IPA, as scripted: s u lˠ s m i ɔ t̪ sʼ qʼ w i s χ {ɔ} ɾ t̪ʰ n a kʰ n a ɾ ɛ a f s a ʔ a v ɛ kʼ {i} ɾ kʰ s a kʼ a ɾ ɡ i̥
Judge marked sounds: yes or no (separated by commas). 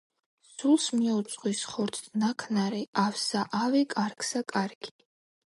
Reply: yes, no